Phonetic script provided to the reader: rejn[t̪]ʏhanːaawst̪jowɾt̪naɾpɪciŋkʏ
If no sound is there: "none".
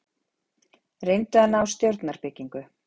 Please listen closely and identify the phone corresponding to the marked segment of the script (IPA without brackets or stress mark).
t̪